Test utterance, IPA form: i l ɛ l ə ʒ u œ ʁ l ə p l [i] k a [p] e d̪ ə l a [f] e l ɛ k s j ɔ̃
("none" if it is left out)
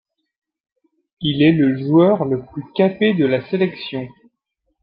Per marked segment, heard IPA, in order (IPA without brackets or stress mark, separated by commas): y, p, s